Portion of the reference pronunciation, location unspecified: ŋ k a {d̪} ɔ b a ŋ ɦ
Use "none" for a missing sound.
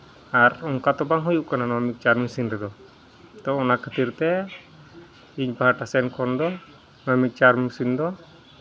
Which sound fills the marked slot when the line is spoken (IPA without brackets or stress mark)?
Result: t̪